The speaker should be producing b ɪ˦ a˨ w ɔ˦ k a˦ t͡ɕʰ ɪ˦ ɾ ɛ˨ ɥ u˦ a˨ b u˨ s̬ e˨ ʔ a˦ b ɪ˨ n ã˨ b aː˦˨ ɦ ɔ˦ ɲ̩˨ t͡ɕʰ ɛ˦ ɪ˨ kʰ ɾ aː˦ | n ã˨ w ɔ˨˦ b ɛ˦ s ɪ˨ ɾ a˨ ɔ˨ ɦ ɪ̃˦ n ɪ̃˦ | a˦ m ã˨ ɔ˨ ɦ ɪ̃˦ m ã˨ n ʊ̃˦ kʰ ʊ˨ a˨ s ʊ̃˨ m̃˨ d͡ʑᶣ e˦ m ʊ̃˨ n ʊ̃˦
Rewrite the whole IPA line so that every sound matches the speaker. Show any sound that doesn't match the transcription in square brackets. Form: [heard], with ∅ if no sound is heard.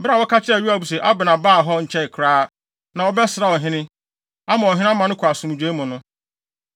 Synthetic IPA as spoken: b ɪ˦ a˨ w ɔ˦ k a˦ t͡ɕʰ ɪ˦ ɾ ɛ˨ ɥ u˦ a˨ b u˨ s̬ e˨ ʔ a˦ b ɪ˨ n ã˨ b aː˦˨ ɦ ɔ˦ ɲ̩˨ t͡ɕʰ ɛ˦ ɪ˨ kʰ ɾ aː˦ | n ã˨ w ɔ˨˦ b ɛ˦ s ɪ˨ ɾ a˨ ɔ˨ ɦ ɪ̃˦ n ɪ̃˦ | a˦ m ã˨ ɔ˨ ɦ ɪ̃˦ m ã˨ n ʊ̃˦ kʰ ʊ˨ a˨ s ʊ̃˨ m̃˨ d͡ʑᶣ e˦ m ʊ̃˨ n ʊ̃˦

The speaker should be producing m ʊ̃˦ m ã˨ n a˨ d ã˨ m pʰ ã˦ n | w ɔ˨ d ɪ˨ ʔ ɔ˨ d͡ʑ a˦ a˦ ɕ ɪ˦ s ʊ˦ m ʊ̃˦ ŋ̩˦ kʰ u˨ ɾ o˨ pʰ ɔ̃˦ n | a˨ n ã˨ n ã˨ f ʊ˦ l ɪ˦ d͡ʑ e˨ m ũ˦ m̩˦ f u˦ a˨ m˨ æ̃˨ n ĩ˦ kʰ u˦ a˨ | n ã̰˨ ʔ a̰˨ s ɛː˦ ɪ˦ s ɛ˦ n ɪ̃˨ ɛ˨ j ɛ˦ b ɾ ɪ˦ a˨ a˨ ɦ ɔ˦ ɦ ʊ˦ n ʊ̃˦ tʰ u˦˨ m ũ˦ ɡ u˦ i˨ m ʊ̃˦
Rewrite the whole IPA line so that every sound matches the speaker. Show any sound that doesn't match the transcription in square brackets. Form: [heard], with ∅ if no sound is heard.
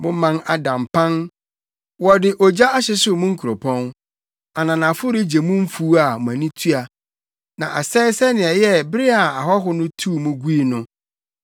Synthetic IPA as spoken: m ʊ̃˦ m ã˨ n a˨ d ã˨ m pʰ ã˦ n | w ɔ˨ d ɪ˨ ʔ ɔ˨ d͡ʑ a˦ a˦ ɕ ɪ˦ s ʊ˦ m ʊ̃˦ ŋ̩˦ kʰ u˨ ɾ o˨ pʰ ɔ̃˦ n | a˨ n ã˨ n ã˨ f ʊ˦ [ɾ] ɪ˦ d͡ʑ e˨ m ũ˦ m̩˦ f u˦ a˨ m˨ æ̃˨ n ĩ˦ [tʰ] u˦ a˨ | n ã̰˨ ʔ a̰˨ s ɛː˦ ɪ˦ s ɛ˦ n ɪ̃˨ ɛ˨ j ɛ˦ b ɾ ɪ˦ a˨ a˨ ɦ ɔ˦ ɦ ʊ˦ n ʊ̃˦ tʰ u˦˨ m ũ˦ ɡ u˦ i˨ [n] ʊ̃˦

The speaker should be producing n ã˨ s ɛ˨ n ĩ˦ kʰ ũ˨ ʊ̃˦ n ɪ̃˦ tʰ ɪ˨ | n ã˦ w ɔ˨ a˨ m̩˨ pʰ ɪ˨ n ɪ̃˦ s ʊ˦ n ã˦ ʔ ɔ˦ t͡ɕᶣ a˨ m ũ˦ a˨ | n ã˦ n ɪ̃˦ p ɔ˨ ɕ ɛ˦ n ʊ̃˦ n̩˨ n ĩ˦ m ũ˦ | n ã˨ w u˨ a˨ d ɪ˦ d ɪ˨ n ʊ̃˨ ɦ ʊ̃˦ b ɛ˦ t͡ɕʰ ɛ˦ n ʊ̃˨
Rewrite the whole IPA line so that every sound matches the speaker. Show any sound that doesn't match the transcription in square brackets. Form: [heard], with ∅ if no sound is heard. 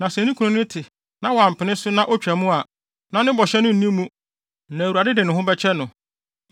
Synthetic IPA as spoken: n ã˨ s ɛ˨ n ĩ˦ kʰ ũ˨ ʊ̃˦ n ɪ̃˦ tʰ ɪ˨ | n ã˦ w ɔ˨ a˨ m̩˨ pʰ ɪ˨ n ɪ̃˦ s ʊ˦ n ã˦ ʔ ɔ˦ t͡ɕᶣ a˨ m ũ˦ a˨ | n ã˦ n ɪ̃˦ [b] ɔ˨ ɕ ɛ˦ n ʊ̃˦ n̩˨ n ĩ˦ m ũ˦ | n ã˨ w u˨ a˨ d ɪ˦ d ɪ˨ n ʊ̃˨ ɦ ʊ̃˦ b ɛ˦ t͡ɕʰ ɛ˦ n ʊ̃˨

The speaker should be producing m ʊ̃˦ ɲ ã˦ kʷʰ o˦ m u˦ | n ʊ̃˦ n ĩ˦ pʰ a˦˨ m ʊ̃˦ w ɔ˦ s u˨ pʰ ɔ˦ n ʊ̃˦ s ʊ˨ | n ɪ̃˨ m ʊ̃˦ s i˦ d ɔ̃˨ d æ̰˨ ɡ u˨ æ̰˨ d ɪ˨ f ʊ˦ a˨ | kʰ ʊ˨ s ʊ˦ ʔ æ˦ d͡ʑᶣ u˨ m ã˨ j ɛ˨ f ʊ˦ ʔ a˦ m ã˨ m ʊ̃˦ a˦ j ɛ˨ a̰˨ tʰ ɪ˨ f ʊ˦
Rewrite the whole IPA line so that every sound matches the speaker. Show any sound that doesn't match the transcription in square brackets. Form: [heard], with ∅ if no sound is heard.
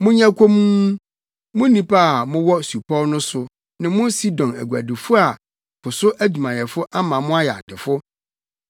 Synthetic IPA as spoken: m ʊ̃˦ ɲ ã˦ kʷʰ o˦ m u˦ | [m] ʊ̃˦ n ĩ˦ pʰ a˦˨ m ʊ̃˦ w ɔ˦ s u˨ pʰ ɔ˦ n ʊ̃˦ s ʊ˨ | n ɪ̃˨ m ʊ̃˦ s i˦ d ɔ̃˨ [n] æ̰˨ ɡ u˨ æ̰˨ d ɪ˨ f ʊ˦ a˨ | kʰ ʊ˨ s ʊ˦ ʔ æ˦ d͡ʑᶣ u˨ m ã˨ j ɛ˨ f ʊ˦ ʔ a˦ m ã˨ m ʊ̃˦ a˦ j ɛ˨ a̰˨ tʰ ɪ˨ f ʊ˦

